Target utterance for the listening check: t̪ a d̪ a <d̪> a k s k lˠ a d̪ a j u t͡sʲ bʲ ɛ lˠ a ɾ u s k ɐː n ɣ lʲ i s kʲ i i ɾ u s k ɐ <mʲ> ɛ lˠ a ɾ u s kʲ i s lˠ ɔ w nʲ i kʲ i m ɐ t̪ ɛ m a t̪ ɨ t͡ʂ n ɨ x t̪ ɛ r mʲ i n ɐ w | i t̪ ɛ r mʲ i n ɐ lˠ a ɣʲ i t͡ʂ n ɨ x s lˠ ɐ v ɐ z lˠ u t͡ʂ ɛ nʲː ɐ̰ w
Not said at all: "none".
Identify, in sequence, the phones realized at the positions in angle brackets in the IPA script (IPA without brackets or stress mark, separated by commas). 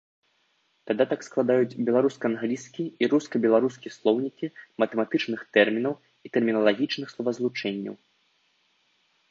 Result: t̪, bʲ